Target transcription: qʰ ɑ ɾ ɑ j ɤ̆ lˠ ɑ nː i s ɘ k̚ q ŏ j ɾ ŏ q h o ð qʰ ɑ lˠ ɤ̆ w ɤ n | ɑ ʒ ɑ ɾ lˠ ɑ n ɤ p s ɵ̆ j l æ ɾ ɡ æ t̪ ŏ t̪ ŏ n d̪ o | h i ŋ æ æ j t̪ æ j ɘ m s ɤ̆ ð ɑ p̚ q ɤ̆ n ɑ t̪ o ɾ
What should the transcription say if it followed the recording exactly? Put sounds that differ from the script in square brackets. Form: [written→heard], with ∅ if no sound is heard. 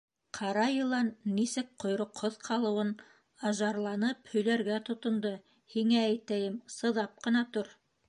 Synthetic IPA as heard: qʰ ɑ ɾ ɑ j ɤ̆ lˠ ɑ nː i s ɘ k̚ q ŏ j ɾ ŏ q h o ð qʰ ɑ lˠ ɤ̆ w ɤ n | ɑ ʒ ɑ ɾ lˠ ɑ n ɤ p [s→h] ɵ̆ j l æ ɾ ɡ æ t̪ ŏ t̪ ŏ n d̪ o | h i ŋ æ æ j t̪ æ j ɘ m s ɤ̆ ð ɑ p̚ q ɤ̆ n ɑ t̪ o ɾ